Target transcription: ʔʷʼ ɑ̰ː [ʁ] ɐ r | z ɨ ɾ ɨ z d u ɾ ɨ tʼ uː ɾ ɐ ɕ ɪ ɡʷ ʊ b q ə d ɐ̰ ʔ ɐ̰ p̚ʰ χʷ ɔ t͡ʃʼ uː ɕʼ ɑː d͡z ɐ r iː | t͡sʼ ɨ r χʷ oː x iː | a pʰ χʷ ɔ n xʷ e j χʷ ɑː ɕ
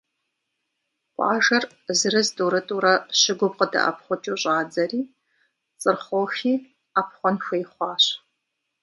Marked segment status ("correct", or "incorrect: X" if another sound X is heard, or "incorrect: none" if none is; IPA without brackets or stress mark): incorrect: ʒ